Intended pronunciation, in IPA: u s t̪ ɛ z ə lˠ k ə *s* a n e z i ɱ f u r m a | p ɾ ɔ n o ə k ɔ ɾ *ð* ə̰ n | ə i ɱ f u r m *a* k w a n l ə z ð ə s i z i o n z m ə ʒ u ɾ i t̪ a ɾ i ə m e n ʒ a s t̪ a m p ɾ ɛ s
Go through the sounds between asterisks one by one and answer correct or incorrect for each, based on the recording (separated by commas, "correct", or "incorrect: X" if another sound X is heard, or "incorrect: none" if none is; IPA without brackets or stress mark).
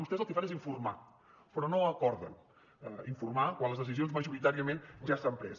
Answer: incorrect: f, correct, correct